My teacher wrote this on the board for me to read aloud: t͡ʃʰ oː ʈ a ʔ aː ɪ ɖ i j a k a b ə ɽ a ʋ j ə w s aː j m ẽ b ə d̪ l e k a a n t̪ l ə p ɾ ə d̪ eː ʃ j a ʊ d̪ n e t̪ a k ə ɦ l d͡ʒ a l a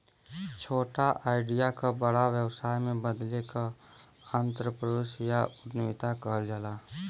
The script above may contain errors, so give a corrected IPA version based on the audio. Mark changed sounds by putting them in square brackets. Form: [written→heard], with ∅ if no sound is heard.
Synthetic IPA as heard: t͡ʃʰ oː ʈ a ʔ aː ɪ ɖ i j a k a b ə ɽ a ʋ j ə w s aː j m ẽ b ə d̪ l e k a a n t̪ [l→ɾ] ə p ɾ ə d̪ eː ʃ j a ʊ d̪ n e t̪ a k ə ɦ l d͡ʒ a l a